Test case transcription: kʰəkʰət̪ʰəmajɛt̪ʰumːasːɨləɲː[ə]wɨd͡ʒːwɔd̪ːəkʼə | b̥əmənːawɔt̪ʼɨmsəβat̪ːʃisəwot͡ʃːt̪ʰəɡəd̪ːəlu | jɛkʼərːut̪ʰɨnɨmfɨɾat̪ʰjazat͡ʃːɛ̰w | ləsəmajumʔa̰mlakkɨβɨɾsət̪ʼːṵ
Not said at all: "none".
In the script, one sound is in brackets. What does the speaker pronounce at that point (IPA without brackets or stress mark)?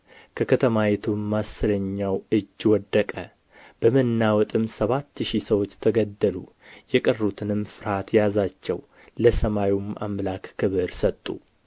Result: a